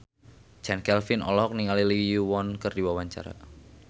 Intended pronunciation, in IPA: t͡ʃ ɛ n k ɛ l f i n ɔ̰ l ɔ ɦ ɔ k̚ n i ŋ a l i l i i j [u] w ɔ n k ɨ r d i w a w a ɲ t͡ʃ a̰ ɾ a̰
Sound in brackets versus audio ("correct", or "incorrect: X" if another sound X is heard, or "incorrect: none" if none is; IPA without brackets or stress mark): correct